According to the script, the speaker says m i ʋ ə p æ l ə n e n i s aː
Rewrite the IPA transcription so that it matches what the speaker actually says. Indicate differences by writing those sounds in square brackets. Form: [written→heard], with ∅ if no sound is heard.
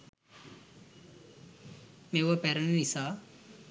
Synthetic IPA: m [i→e] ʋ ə p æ [l→ɾ] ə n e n i s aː